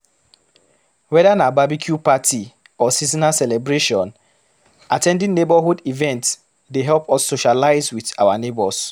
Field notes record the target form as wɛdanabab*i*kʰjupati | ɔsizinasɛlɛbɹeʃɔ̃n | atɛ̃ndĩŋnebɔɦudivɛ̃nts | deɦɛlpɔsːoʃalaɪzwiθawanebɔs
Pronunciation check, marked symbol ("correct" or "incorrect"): correct